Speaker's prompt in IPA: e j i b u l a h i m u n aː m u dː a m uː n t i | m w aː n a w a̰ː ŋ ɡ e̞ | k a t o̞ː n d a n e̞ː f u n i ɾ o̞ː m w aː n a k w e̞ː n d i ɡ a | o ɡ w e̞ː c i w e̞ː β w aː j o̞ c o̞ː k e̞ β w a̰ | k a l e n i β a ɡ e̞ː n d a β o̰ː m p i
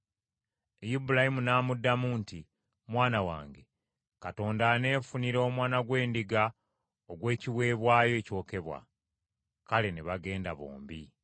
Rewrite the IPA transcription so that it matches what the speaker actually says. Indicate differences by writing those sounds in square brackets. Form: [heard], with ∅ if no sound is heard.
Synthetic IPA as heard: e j i b u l a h i m u n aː m u dː a m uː n t i | m w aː n a w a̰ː ŋ ɡ e̞ | k a t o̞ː n d a n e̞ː f u n i ɾ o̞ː m w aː n a [ɡ] w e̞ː n d i ɡ a | o ɡ w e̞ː c i w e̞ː β w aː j o̞ c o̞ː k e̞ β w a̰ | k a l e n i β a ɡ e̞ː n d a β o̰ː m [b] i